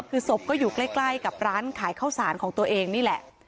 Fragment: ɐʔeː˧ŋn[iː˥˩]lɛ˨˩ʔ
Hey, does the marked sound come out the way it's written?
yes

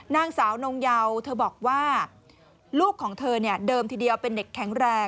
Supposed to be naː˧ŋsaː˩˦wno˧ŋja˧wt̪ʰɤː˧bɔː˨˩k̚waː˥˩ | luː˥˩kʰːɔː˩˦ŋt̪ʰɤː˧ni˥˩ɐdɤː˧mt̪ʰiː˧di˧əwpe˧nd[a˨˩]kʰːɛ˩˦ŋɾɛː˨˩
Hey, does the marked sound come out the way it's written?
no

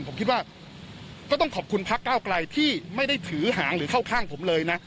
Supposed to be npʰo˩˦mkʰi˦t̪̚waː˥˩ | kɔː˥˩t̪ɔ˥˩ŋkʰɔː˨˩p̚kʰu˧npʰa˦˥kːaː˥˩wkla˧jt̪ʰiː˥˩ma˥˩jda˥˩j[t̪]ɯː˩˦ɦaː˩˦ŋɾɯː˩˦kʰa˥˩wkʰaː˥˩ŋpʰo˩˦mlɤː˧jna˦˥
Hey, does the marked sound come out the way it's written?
no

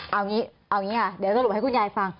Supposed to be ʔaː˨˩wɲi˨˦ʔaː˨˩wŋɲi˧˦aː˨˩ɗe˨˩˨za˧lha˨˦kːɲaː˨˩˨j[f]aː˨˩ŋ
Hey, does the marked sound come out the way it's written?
yes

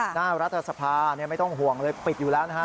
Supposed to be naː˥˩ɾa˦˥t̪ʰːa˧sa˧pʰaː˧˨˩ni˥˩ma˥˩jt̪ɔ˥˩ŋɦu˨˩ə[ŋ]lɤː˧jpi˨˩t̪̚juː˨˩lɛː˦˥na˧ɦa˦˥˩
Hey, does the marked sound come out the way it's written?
yes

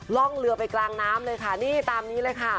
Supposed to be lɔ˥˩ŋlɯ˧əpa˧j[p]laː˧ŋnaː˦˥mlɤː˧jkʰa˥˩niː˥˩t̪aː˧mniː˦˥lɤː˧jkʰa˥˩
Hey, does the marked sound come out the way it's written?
no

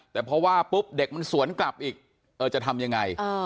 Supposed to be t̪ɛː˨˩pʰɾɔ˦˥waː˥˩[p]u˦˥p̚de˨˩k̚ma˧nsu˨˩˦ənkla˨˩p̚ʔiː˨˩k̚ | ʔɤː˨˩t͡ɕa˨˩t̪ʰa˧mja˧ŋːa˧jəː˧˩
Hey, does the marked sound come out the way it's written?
yes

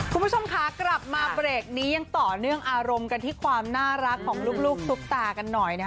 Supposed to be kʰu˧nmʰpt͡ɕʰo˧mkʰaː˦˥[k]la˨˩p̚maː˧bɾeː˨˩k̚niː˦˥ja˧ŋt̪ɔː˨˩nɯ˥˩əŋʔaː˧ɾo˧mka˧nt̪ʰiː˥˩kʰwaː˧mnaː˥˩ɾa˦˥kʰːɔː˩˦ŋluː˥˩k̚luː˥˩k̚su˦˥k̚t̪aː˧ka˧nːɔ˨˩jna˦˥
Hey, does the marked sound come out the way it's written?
yes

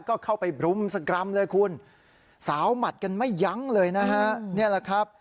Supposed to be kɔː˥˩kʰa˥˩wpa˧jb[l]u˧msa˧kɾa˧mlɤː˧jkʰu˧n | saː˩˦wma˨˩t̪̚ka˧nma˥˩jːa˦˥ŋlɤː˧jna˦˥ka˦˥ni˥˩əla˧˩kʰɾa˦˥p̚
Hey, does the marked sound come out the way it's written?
no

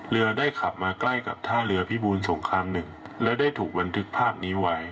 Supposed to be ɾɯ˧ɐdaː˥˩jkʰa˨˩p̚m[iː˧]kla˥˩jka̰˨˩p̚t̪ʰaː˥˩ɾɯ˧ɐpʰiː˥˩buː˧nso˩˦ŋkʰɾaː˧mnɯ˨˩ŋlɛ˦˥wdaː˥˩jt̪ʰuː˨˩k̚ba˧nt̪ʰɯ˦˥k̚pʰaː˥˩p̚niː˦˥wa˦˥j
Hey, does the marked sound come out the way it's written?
no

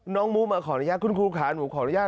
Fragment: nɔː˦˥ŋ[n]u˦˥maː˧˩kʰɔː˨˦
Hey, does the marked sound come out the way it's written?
no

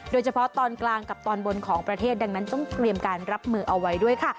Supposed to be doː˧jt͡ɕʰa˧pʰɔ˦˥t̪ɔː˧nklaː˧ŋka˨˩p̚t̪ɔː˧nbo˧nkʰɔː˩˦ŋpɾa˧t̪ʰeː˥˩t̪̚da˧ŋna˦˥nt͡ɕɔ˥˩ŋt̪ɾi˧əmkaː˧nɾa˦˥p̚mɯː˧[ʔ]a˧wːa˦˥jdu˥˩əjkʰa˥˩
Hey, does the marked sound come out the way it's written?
yes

